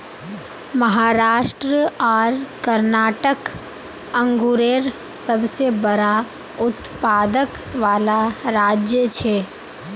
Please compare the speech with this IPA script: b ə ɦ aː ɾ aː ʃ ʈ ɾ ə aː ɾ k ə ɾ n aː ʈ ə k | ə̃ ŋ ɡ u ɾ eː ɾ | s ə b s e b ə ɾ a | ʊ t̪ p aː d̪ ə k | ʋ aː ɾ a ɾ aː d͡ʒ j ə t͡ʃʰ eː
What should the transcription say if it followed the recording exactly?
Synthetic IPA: m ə ɦ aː ɾ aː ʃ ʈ ɾ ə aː ɾ k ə ɾ n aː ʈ ə k | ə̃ ŋ ɡ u ɾ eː ɾ | s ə b s e b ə ɾ a | ʊ t̪ p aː d̪ ə k | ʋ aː l a ɾ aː d͡ʒ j ə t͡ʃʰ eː